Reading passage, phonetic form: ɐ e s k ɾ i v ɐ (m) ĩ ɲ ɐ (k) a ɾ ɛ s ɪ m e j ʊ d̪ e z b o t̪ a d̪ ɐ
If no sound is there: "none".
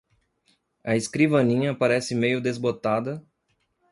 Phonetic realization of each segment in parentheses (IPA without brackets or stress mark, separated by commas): n, p